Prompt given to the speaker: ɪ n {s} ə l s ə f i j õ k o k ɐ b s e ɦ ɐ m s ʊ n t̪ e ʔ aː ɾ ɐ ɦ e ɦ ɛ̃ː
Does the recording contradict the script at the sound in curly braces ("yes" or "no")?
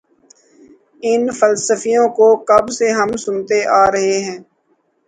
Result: yes